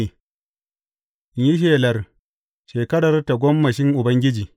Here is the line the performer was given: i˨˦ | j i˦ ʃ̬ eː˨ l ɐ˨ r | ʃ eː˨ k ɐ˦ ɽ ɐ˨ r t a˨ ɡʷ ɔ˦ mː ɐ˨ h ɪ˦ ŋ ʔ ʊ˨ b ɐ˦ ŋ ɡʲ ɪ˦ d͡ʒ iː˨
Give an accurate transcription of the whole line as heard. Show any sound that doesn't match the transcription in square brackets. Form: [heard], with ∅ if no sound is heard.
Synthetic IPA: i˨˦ | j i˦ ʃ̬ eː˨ l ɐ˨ r | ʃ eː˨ k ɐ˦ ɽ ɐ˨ r t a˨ ɡʷ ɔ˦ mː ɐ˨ [ʃ] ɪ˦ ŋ ʔ ʊ˨ b ɐ˦ ŋ ɡʲ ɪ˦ d͡ʒ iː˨